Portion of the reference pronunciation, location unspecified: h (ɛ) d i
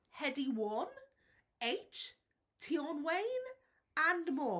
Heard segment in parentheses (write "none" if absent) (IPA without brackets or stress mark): ɛ